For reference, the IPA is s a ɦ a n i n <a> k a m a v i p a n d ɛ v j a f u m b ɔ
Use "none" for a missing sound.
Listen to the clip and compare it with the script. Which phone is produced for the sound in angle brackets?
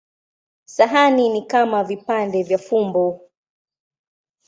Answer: i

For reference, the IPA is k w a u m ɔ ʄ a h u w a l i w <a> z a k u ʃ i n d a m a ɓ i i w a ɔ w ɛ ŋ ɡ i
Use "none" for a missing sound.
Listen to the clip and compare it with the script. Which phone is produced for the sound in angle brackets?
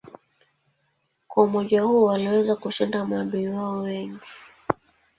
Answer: ɛ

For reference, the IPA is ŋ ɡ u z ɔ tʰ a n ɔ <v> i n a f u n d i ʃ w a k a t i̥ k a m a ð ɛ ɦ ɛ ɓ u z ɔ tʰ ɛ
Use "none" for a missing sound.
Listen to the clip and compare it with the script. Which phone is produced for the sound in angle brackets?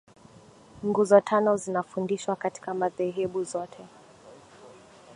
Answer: z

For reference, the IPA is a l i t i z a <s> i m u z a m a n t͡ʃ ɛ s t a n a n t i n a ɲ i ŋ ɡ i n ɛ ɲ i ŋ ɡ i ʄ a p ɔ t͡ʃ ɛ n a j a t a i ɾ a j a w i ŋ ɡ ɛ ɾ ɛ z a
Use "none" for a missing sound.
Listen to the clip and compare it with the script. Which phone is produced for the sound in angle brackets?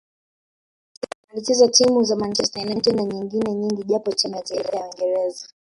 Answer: t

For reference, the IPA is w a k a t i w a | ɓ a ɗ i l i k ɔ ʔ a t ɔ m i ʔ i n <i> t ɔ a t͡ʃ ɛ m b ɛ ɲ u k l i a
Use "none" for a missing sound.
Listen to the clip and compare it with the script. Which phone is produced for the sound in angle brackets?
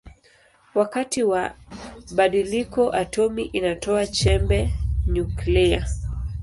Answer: a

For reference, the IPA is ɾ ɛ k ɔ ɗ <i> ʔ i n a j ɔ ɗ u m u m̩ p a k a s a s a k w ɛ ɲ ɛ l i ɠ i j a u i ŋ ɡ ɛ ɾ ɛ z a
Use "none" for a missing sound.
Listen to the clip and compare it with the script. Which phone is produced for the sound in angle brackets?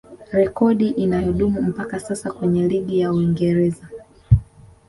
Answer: i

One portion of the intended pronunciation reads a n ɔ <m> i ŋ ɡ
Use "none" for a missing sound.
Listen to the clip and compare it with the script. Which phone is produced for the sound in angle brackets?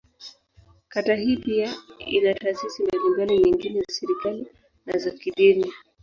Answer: ɲ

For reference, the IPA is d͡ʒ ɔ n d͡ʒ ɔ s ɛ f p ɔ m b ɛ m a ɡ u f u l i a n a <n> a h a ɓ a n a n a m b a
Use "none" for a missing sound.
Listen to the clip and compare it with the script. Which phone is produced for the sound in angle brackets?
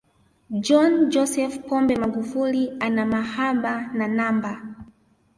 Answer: m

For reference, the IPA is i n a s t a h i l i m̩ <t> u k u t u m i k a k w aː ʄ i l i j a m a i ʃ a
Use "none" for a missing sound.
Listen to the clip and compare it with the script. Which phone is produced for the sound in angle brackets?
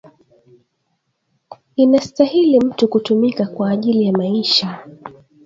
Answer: t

